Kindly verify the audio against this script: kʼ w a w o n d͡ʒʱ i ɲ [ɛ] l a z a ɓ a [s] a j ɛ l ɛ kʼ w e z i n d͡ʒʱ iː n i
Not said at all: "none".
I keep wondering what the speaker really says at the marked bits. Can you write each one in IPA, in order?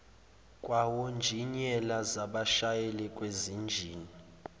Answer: ɛ, ʃ

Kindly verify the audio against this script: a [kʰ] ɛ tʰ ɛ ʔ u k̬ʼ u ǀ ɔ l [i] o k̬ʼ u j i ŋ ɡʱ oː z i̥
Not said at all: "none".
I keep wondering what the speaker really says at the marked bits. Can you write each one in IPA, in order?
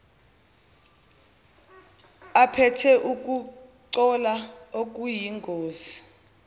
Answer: pʰ, a

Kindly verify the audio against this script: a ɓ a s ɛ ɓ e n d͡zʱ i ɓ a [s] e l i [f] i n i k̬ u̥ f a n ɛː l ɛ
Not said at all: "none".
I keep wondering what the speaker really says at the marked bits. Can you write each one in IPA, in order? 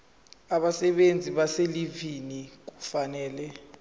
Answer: s, v

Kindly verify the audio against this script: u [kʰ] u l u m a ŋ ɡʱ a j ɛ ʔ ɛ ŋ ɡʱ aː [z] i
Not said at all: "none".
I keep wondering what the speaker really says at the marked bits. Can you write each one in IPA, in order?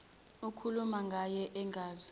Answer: kʰ, z

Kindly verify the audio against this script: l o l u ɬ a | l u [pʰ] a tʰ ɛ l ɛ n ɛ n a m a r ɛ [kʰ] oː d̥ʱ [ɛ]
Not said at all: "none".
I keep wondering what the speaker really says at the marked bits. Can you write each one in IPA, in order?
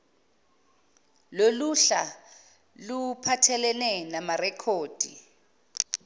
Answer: pʰ, kʰ, i

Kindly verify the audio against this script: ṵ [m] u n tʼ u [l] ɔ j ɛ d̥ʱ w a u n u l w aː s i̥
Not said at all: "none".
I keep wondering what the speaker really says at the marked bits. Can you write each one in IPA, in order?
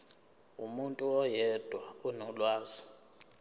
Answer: m, none

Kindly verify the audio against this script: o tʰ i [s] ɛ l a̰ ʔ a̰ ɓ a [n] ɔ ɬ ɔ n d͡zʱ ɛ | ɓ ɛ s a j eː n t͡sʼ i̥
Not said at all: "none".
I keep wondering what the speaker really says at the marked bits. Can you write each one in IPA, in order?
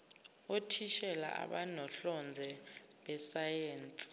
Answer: ʃ, n

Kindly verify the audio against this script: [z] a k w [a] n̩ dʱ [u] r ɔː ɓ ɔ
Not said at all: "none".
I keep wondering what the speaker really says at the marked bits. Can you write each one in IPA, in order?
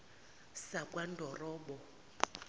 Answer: s, a, ɔ

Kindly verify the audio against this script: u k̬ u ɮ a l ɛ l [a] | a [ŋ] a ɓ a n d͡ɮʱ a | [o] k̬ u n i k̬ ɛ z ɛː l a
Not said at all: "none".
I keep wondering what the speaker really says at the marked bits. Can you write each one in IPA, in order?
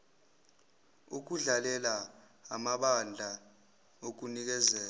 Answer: a, m, o

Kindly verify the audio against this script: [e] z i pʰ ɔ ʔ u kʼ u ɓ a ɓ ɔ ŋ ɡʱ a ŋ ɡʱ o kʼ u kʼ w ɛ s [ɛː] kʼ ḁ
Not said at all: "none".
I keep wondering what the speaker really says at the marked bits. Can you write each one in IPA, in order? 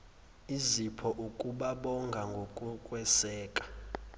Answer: i, ɛː

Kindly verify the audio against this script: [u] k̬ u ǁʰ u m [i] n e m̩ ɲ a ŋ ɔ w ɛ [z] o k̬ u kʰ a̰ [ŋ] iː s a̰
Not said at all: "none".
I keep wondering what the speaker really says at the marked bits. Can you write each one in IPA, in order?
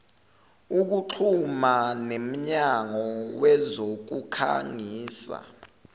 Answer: u, a, z, ŋ

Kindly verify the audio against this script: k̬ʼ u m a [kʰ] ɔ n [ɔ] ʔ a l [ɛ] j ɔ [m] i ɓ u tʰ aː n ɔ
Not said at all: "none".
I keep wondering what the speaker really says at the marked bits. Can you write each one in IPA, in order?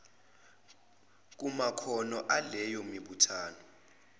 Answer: kʰ, ɔ, ɛ, m

